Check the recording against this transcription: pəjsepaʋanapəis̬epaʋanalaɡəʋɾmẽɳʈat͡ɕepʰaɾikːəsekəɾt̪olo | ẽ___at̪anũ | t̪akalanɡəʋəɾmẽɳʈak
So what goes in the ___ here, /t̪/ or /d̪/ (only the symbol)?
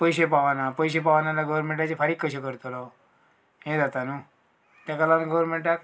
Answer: d̪